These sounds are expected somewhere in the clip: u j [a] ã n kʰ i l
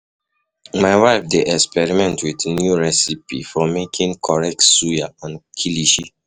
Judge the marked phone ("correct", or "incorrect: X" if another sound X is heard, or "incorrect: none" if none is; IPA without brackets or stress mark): correct